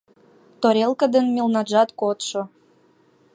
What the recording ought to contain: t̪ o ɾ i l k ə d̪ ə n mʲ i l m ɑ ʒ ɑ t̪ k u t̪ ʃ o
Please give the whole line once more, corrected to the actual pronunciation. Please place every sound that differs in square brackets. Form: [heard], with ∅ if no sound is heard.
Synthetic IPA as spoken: t̪ o ɾ [e] l k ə d̪ ə n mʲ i l [n] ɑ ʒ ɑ t̪ k [o] t̪ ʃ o